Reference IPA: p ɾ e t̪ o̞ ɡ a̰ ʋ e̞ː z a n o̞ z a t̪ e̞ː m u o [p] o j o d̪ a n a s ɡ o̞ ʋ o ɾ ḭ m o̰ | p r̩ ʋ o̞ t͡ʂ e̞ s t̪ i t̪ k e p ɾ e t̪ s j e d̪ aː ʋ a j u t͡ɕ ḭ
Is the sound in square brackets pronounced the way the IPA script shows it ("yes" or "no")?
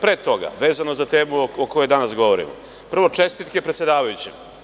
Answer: no